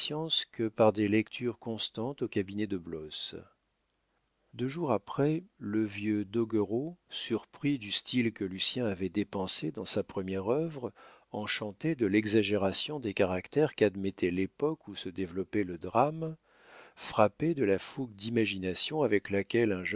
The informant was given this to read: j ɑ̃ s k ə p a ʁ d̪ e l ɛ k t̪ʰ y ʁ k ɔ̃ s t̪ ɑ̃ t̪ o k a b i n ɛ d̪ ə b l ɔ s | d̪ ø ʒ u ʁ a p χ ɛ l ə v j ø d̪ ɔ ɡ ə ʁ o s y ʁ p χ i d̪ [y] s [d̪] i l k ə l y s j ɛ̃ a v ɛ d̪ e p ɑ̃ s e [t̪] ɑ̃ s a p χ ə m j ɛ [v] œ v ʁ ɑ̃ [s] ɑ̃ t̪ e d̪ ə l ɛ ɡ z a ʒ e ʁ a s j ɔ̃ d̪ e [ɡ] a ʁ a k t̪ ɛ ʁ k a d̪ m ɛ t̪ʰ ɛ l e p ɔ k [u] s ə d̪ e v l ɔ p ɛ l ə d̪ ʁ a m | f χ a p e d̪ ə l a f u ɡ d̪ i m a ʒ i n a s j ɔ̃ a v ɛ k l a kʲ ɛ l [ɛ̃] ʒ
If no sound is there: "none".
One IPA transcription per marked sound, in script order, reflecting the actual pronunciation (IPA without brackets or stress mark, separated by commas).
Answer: y, t̪, d̪, ʁ, ʃ, k, u, ɛ̃